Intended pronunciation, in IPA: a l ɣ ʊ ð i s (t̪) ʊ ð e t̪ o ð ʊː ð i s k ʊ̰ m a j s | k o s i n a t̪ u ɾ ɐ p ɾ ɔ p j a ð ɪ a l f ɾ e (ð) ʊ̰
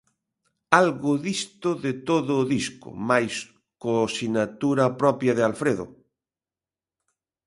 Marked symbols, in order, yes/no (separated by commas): yes, yes